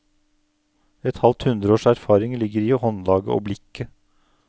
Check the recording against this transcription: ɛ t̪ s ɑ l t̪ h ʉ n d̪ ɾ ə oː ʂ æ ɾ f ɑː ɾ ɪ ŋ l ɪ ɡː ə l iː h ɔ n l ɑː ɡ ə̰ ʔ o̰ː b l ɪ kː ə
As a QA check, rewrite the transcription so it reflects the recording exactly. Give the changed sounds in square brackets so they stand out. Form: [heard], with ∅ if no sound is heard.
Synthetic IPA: ɛ t̪ [h] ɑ l t̪ h ʉ n d̪ ɾ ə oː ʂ æ ɾ f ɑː ɾ ɪ ŋ l ɪ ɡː ə [ɾ] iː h ɔ n l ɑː ɡ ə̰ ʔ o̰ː b l ɪ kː ə